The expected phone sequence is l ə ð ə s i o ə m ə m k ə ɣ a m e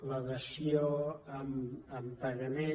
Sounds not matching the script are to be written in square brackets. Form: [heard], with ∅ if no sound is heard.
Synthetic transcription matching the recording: l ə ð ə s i o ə m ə m [p] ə ɣ [ə] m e